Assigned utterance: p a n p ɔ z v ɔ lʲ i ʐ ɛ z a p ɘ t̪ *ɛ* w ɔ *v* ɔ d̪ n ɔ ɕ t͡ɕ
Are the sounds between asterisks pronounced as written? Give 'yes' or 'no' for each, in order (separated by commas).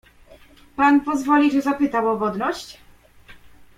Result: no, yes